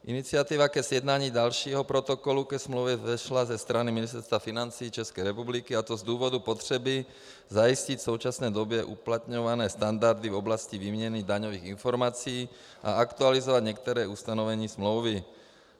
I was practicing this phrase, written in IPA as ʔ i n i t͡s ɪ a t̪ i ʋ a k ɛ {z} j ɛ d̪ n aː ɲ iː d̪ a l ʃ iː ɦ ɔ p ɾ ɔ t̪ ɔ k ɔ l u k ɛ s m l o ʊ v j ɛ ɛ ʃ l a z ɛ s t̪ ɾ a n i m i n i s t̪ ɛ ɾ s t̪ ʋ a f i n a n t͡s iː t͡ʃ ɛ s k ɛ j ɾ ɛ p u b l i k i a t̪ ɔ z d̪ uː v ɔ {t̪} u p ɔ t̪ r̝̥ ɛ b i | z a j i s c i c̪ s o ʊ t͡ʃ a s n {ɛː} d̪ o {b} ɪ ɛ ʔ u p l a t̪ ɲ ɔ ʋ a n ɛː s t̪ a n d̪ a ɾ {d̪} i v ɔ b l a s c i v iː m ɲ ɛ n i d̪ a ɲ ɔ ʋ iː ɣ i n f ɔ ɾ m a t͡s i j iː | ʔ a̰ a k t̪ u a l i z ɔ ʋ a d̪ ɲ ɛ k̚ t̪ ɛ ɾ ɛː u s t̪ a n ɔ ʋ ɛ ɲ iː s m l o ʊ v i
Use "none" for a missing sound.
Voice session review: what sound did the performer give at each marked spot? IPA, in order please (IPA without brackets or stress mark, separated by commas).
z, d̪, ɛː, b, d̪